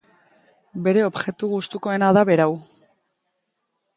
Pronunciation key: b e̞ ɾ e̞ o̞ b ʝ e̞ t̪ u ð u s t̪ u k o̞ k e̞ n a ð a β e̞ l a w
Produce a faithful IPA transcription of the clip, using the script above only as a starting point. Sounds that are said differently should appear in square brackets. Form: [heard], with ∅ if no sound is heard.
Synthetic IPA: b e̞ ɾ e̞ o̞ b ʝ e̞ t̪ u [ɣ] u s t̪ u k o̞ [∅] e̞ n a ð a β e̞ [ɾ] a w